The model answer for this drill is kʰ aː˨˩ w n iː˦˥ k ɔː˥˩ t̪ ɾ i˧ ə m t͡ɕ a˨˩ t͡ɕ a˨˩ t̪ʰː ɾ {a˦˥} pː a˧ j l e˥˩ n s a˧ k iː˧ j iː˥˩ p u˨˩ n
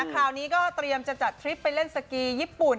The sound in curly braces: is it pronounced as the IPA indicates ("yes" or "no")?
no